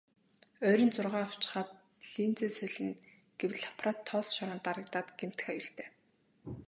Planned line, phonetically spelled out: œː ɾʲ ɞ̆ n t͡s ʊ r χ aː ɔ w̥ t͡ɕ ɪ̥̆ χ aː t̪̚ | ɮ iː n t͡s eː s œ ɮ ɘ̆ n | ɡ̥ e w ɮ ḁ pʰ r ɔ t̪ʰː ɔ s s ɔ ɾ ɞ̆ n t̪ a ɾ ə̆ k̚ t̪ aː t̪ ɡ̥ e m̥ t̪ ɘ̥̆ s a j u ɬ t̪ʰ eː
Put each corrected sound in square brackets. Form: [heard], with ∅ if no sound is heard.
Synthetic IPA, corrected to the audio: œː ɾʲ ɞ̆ n t͡s ʊ r [ʁ] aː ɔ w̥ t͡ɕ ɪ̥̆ χ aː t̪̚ | ɮ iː n t͡s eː s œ ɮ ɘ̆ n | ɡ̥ e w ɮ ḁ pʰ r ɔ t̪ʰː ɔ s [ʃ] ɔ ɾ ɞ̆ n t̪ a ɾ ə̆ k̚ t̪ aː t̪ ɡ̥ e m̥ t̪ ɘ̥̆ [x] a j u ɬ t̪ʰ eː